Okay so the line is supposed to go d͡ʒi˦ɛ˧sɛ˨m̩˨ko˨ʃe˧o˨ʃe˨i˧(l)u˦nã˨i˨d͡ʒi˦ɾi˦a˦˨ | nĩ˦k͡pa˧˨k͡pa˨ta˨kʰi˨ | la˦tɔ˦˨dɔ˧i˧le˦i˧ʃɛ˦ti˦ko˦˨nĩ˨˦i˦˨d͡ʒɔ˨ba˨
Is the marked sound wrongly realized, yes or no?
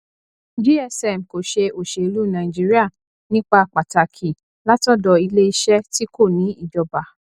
no